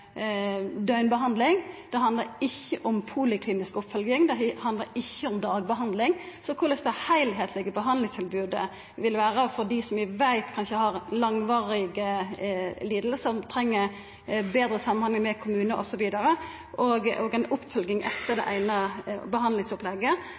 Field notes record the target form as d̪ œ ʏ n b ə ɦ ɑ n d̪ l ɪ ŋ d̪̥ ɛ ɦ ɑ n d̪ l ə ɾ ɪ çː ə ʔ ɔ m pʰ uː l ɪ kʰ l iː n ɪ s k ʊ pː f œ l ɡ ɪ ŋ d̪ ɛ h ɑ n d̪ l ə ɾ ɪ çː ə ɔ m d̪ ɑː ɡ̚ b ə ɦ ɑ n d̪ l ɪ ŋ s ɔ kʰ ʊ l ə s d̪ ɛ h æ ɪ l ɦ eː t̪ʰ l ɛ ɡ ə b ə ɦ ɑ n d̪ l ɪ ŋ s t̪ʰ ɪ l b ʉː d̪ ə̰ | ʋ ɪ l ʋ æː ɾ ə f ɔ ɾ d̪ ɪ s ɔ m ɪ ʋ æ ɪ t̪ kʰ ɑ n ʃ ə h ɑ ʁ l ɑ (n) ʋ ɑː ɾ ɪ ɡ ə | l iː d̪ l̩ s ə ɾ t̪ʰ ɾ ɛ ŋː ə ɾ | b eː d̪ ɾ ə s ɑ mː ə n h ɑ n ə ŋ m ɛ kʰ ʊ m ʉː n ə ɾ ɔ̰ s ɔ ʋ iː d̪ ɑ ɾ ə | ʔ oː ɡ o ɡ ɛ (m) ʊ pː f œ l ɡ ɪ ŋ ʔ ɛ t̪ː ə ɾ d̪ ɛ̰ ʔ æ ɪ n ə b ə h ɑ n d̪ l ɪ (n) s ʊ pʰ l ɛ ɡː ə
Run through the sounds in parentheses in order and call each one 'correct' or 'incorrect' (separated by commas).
incorrect, incorrect, incorrect